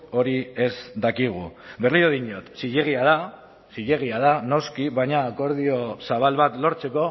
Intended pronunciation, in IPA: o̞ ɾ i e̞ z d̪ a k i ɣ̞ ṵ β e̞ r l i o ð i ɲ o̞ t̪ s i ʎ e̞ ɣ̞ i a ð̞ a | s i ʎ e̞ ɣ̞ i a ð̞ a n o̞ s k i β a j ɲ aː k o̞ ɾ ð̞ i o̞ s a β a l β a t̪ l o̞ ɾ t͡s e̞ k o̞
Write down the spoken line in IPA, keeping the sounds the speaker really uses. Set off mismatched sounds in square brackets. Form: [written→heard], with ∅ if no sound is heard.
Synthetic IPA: o̞ ɾ i e̞ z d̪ a k i ɣ̞ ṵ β e̞ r l i o ð i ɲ o̞ t̪ s i ʎ e̞ ɣ̞ i a ð̞ a | s i ʎ e̞ ɣ̞ i a ð̞ a n o̞ s k i β a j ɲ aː k o̞ ɾ ð̞ i o̞ s a β a l β a t̪ l o̞ ɾ t͡s e̞ k o̞